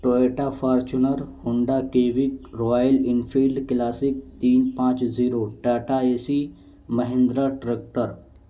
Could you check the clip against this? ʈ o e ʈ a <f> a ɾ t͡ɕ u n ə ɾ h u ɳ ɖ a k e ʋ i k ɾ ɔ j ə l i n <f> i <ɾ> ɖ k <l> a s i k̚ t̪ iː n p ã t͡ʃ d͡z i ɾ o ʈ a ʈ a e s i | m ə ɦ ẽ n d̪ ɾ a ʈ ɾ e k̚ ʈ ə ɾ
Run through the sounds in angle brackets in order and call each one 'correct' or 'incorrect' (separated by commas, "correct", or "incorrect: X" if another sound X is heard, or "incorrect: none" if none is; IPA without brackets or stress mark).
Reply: correct, correct, incorrect: l, correct